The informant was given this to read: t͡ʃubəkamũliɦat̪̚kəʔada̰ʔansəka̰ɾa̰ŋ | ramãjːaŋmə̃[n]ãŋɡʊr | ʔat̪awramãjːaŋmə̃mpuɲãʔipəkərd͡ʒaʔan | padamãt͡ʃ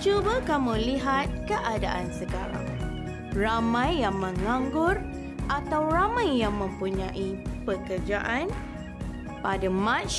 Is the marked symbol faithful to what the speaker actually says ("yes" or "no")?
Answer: no